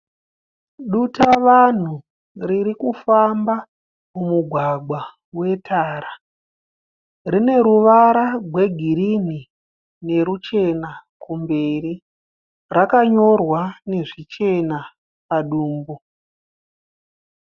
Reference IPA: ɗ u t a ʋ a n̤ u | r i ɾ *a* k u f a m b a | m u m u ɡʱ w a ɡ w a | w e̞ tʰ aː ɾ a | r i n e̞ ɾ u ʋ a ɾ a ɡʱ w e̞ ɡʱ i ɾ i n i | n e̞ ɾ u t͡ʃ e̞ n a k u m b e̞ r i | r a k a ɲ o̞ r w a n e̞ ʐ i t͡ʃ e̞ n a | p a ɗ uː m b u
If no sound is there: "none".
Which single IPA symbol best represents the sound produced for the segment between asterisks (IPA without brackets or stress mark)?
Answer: i